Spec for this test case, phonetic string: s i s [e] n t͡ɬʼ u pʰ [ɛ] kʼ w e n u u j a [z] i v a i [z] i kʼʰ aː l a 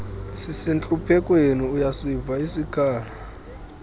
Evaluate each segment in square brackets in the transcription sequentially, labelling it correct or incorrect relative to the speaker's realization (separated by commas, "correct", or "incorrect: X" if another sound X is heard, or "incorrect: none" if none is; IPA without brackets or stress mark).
incorrect: i, correct, incorrect: s, incorrect: s